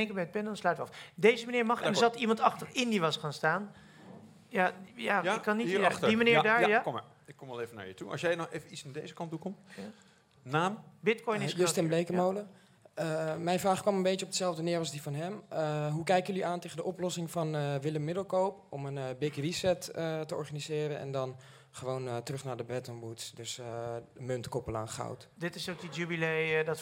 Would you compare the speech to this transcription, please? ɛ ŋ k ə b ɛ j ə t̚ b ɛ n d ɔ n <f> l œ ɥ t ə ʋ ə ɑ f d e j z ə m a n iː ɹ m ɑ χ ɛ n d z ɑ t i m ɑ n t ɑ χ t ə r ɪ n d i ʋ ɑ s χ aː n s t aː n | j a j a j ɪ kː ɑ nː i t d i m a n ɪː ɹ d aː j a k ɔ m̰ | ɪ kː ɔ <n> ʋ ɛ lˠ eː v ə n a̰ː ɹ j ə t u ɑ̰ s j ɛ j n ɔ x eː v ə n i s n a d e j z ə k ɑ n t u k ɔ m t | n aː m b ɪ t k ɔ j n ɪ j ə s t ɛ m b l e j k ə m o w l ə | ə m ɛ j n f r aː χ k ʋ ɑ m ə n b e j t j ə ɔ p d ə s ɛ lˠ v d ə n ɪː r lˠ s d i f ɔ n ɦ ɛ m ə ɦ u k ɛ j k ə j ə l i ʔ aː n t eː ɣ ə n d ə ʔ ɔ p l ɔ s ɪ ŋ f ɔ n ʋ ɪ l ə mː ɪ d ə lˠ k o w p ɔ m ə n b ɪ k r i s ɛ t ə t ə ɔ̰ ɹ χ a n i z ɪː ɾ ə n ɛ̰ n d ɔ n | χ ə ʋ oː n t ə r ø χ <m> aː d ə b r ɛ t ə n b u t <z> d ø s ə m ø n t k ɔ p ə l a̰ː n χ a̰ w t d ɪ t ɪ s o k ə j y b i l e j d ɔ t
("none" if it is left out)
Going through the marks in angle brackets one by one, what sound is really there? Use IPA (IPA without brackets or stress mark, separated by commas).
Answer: s, m, n, s